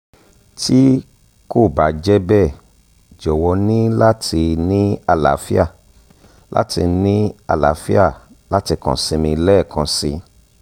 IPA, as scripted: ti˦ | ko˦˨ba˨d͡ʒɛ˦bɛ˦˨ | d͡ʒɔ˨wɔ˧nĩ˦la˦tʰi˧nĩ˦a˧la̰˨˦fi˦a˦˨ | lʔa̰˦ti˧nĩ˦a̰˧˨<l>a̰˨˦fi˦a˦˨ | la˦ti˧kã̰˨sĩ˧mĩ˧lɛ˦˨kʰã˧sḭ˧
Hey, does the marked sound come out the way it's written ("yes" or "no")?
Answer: yes